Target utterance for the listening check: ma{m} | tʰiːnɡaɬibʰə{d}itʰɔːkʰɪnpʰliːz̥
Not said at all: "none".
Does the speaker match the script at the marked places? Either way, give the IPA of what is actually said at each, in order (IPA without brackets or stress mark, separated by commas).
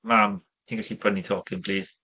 m, n